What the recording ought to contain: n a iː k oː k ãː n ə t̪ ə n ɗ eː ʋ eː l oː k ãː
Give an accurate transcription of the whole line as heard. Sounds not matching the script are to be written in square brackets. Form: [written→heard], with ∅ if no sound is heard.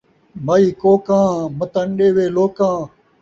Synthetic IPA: [n→m] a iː k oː k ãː [n→m] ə t̪ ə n ɗ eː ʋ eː l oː k ãː